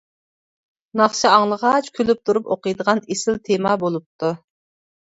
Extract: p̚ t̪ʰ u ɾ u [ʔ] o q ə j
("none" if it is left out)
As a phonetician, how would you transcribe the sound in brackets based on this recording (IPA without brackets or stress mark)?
p